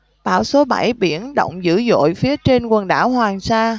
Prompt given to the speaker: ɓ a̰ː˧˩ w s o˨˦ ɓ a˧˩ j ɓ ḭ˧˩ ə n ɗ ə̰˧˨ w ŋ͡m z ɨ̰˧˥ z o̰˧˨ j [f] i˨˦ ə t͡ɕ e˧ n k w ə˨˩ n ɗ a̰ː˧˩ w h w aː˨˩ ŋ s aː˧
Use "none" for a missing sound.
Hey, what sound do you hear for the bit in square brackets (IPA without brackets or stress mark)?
f